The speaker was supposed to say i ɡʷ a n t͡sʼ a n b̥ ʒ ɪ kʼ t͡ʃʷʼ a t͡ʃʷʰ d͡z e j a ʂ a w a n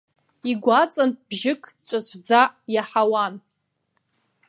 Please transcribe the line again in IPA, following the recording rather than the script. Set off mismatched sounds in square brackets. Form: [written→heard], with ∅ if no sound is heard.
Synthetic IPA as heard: i ɡʷ a [n→∅] t͡sʼ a n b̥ ʒ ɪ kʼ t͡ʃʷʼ a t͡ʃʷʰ d͡z [e→a] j a [ʂ→ħ] a w a n

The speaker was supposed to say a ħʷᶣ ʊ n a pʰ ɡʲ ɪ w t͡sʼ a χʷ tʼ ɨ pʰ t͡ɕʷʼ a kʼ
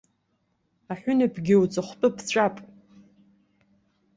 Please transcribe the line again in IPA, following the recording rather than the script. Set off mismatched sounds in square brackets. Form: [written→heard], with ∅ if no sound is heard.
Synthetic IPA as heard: a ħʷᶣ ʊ n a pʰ ɡʲ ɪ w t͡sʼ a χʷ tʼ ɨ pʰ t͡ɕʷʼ a [kʼ→pʼ]

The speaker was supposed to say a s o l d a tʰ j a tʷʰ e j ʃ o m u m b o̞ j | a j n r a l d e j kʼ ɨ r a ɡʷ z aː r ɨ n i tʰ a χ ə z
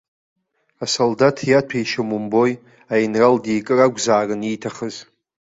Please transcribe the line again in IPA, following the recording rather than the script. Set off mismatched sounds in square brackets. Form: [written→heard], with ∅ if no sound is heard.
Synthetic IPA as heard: a s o l d a tʰ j a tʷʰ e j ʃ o m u m b o̞ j | a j n r a l d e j kʼ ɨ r a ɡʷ z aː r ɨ n i tʰ a χ ə z

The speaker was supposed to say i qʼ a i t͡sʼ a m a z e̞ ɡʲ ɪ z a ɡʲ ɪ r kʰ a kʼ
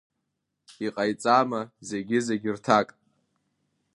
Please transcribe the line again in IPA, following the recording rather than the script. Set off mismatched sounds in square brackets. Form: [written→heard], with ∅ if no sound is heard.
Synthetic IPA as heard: i qʼ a [i→j] t͡sʼ a m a z e̞ ɡʲ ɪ z [a→e] ɡʲ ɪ r [kʰ→tʰ] a kʼ

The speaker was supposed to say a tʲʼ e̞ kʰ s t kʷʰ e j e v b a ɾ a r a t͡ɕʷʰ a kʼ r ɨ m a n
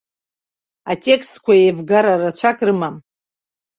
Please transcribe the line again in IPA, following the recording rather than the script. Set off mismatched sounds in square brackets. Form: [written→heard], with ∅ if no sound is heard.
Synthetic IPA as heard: a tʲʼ e̞ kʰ s t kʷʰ [e→a] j e v [b→ɡ] a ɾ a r a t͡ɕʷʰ a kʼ r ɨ m a [n→m]

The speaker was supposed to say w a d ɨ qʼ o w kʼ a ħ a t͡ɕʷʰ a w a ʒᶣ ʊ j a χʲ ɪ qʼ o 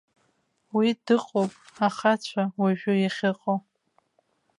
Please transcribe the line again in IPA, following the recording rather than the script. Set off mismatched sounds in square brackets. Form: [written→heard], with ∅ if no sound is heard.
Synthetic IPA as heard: w [a→i] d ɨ qʼ o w [kʼ→pʼ] a [ħ→χ] a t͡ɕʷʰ a w a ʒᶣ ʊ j a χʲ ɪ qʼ o

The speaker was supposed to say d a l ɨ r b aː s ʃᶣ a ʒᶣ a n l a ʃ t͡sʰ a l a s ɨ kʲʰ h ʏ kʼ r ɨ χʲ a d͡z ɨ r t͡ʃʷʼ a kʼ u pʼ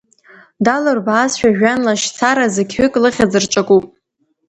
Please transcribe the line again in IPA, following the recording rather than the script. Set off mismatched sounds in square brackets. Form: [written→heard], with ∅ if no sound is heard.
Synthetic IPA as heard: d a l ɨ r b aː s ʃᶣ a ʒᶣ a n l a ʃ t͡sʰ a [l→ɾ] a [s→z] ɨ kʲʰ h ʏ kʼ [r→l] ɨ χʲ a d͡z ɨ r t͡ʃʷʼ a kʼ u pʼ

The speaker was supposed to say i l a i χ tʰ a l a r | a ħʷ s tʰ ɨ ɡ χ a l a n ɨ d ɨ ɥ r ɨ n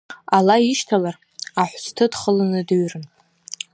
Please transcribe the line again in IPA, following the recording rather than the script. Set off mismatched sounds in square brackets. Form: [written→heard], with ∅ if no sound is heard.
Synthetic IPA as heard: [i→a] l a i [χ→ʃ] tʰ a l a r | a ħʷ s tʰ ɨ [ɡ→d] χ [a→ə] l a n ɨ d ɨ ɥ r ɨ n

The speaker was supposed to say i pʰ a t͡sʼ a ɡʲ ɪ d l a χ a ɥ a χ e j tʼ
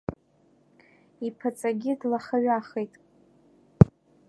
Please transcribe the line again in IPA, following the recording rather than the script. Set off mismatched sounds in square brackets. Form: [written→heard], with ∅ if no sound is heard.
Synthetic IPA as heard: i pʰ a t͡sʼ a ɡʲ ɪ d l a χ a ɥ a χ e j tʼ

